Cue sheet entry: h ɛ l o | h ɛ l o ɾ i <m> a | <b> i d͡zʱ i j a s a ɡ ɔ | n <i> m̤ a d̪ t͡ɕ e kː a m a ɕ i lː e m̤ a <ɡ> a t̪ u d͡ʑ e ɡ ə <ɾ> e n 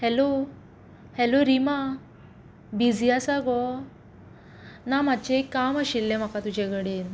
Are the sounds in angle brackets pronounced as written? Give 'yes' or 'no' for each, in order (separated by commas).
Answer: yes, yes, no, no, no